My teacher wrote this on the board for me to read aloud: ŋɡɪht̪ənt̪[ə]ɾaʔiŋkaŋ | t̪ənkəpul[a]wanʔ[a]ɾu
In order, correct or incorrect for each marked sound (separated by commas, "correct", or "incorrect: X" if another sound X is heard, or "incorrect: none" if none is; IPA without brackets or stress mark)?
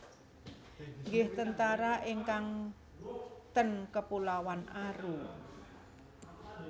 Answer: incorrect: a, correct, correct